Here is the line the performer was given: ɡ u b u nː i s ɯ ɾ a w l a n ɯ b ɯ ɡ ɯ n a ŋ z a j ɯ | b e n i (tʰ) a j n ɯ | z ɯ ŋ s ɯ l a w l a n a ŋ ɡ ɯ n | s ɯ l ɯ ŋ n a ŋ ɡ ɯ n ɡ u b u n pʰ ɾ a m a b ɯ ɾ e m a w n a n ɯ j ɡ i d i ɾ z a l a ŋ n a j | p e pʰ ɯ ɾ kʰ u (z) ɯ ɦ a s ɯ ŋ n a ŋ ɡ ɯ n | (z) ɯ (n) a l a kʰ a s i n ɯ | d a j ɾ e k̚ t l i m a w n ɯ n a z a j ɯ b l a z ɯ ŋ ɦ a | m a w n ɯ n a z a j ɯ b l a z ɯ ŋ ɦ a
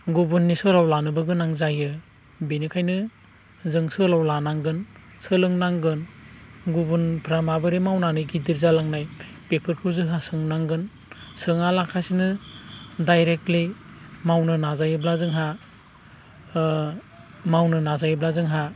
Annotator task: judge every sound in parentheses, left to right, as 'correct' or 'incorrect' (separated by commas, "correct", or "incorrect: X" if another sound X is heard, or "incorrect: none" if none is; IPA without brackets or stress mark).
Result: incorrect: kʰ, correct, incorrect: s, incorrect: ŋ